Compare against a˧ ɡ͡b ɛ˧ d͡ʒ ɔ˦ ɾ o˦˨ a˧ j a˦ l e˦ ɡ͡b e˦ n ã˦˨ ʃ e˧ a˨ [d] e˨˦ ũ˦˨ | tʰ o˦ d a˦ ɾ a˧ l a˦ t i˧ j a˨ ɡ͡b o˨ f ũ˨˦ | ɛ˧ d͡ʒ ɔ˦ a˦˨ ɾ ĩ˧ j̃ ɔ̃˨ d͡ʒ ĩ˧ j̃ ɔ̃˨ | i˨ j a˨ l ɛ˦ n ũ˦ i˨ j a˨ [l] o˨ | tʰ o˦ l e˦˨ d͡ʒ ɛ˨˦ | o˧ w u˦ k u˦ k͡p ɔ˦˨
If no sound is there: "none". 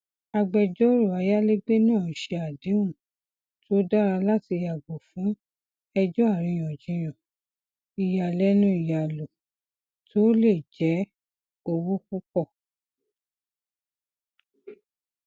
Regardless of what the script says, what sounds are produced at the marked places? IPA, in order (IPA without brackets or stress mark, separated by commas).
d, l